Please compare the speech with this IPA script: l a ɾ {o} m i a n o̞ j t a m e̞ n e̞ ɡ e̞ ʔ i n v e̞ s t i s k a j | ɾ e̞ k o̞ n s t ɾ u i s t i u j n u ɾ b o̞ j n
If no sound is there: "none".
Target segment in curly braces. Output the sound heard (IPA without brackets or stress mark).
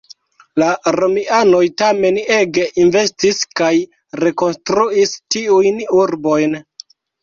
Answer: o